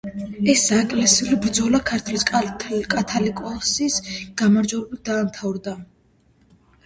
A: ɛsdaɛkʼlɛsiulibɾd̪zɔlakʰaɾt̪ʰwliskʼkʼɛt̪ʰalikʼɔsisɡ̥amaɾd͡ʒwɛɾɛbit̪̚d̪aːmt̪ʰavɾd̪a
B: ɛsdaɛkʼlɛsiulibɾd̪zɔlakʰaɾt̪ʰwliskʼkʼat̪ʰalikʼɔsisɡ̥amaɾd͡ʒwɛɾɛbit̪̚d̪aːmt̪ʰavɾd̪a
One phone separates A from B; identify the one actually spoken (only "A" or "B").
B